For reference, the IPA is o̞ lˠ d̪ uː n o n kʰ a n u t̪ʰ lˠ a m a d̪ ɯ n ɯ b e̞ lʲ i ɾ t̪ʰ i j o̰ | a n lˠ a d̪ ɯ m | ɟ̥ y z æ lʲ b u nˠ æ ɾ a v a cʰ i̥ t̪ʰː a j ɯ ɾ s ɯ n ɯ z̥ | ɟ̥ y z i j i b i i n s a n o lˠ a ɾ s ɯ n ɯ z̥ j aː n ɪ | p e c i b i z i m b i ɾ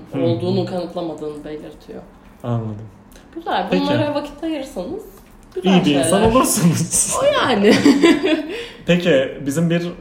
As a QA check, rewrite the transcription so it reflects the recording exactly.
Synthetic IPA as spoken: o̞ lˠ d̪ uː n u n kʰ a n ɯ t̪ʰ lˠ a m a d̪ ɯː n ɯ b e̞ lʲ i ɾ t̪ʰ i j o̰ | a n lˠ a d̪ ɯ m | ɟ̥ y z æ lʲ b u nˠ a ɾ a v a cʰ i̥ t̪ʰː a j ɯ ɾ s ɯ n ɯ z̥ | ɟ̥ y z i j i b i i n s a n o lˠ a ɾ s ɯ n ɯ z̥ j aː n ɪ | p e c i b i z i m b i ɾ